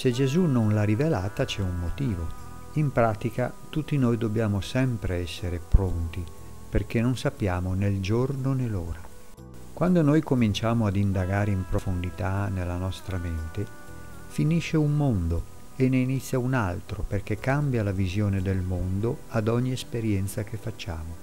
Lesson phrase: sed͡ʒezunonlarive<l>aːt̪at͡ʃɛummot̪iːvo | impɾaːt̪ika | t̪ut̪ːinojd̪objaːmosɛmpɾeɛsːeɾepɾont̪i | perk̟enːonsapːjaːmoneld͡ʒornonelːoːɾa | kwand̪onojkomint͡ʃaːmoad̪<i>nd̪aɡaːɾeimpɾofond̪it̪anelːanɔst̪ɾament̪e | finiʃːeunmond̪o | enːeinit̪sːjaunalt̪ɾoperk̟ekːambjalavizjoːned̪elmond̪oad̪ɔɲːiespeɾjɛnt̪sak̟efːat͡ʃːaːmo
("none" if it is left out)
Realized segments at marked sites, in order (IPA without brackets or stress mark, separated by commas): l, i